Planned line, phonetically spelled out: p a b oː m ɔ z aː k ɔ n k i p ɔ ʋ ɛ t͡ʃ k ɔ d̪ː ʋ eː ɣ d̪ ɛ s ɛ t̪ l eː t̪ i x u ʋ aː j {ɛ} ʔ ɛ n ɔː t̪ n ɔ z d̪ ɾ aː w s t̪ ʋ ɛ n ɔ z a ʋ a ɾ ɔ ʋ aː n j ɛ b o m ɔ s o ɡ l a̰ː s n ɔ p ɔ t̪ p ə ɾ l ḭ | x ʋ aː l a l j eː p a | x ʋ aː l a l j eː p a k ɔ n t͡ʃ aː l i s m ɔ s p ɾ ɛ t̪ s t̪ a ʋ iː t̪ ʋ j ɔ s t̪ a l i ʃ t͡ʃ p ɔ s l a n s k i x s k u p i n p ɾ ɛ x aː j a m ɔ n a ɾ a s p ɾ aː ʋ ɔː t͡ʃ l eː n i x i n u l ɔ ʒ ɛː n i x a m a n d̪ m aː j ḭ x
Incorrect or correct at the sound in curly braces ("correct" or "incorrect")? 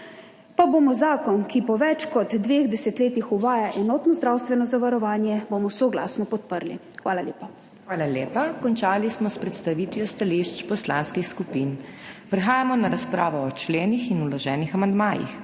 incorrect